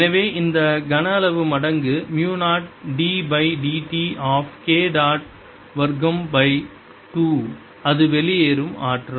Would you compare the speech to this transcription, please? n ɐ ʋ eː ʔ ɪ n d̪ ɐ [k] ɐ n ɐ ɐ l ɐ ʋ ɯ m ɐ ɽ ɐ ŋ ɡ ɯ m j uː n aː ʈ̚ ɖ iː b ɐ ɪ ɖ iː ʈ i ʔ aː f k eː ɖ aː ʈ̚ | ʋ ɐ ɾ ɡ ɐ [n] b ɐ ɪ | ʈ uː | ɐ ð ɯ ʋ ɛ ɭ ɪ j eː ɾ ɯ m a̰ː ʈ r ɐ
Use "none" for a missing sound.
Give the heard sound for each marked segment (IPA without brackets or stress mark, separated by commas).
ɡ, m